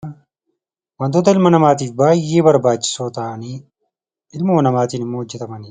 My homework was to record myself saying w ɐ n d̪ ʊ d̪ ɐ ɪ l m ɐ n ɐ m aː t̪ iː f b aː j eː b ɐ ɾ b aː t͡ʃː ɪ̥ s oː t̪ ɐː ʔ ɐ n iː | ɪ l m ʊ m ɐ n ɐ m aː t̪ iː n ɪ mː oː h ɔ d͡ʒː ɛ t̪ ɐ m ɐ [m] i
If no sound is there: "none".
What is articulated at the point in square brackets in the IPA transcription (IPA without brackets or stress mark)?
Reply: n